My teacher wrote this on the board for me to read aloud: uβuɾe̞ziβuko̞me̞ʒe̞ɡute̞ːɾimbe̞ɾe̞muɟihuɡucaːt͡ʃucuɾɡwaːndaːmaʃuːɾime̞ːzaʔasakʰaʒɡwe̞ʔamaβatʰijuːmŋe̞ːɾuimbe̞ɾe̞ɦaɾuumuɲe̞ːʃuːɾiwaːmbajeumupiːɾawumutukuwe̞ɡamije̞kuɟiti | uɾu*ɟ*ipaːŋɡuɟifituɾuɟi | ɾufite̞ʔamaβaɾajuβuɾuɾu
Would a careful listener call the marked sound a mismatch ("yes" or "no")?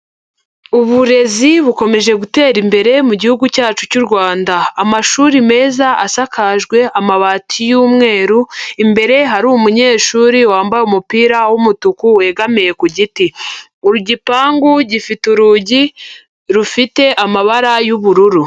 no